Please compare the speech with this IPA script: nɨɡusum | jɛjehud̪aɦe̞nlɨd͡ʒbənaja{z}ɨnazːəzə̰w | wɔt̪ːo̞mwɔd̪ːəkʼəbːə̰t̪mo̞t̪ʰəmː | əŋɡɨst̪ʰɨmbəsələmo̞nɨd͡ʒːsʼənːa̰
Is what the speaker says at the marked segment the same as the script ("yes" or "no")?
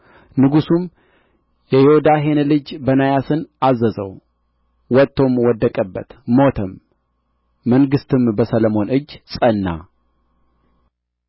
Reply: no